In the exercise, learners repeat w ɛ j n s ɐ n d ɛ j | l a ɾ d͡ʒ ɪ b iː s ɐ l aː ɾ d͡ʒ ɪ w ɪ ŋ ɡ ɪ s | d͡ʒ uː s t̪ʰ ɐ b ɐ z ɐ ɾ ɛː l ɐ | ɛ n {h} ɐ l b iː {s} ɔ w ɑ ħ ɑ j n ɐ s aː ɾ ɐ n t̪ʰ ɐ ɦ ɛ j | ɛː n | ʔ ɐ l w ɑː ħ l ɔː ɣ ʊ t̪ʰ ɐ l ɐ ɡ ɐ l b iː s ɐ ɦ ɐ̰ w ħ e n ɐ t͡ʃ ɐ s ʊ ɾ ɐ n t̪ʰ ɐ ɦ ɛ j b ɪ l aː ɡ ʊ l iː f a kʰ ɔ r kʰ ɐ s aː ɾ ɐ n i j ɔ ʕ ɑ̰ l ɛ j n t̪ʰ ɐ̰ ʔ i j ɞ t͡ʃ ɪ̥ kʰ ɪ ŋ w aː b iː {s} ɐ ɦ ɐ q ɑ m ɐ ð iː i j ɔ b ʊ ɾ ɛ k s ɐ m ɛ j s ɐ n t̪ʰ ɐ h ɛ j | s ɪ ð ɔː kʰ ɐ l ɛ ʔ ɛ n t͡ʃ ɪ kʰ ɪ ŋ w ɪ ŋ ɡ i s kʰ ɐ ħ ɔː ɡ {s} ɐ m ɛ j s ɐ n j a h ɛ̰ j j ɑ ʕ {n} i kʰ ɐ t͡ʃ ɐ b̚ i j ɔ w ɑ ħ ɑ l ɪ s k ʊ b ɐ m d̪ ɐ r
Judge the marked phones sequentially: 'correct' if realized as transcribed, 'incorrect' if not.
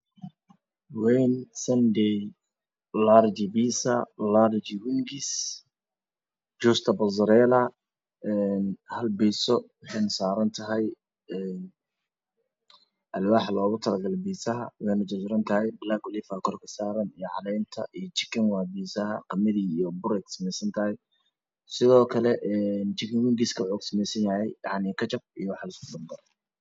correct, correct, correct, correct, correct

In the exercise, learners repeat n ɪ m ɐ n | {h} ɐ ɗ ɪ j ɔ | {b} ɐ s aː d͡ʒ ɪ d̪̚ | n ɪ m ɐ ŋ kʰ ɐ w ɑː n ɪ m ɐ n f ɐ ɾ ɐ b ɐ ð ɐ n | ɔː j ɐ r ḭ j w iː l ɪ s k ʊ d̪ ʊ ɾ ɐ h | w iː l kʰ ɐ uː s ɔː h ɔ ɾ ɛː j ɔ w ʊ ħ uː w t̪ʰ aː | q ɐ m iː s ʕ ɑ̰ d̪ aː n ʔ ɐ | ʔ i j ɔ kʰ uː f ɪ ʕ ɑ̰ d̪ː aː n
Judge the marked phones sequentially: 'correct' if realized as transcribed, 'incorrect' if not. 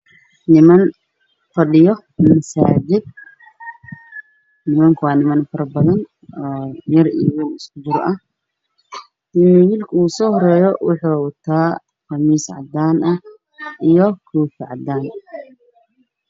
incorrect: f, incorrect: m

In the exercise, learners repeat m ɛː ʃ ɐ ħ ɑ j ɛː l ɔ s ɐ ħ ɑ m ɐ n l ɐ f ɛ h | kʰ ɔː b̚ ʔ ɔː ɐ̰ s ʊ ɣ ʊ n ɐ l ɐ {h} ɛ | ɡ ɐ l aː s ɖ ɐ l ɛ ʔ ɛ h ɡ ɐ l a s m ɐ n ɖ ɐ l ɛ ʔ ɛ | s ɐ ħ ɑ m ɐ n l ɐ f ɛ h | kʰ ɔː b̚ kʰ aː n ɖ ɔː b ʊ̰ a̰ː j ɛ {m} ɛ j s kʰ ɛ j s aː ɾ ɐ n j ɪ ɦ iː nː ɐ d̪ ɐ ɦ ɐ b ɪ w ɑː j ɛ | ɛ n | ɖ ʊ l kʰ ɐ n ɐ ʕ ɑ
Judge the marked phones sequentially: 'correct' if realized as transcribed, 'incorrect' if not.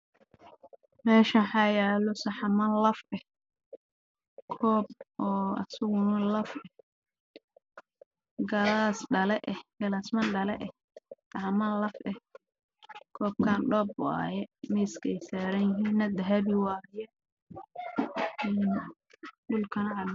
incorrect: f, correct

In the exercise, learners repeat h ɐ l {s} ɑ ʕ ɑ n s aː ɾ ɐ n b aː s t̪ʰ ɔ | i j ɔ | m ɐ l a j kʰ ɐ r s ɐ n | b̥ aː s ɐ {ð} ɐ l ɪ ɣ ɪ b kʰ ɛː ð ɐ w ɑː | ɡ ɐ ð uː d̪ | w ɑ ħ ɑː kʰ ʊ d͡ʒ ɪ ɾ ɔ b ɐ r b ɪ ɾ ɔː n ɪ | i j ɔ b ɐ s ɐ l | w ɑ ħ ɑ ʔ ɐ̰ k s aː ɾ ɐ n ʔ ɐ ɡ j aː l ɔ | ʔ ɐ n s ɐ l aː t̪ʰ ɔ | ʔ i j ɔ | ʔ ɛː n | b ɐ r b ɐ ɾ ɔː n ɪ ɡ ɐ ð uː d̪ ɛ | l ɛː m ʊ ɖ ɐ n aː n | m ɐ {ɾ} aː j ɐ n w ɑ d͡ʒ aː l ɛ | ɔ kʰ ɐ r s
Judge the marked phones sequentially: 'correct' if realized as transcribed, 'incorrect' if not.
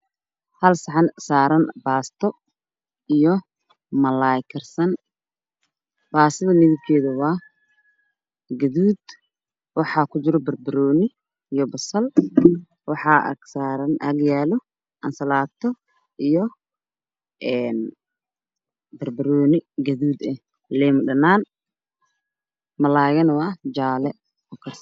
correct, correct, incorrect: l

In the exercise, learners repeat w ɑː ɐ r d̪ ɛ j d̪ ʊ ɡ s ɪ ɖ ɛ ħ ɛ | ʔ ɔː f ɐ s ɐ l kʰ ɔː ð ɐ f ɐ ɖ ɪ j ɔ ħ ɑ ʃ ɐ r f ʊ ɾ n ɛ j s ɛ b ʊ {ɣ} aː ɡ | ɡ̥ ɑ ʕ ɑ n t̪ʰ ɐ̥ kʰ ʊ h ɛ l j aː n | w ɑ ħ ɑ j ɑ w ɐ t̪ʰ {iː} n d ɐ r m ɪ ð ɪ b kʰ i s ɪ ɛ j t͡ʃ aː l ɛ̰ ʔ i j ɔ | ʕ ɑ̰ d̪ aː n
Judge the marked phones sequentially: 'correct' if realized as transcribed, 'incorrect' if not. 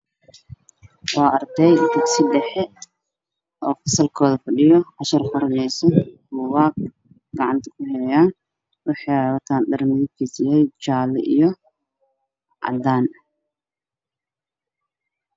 incorrect: w, incorrect: aː

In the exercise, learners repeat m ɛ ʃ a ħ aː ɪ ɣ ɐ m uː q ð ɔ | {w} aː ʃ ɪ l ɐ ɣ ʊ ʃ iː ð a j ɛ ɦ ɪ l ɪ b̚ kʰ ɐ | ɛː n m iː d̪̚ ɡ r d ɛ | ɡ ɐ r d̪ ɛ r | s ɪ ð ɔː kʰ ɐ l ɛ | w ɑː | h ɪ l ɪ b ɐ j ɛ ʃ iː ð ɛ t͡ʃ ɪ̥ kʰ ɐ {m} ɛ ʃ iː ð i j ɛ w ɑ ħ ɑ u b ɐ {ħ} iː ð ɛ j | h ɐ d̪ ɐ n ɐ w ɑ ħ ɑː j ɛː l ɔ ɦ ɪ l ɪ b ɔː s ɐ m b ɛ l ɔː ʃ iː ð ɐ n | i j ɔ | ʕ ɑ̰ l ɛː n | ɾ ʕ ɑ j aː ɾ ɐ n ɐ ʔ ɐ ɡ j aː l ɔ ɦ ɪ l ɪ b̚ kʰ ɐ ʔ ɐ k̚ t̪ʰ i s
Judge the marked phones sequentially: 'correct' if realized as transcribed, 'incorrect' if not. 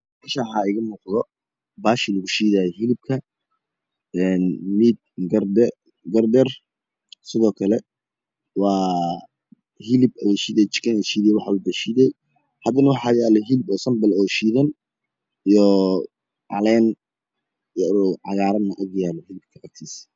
incorrect: b, incorrect: n, incorrect: ʃ

